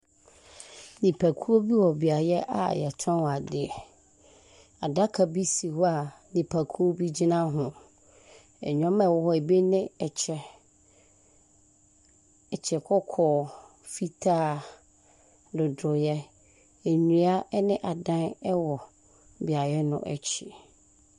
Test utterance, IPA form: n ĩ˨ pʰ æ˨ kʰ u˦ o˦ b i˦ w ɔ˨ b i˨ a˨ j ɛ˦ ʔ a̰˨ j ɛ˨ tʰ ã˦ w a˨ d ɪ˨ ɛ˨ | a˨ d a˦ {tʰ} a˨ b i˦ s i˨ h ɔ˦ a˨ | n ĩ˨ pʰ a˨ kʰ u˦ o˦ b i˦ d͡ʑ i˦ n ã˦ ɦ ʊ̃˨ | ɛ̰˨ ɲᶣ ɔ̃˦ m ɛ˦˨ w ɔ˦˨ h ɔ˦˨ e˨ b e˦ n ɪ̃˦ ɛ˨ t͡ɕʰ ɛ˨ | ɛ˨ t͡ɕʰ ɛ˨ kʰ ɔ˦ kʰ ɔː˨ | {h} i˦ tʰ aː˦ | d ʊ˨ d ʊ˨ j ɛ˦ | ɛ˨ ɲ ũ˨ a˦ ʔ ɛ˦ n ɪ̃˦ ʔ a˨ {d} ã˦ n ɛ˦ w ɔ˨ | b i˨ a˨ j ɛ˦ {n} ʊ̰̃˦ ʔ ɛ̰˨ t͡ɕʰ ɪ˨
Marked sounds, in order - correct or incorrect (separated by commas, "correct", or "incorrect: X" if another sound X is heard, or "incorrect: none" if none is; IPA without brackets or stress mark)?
incorrect: kʰ, incorrect: f, correct, correct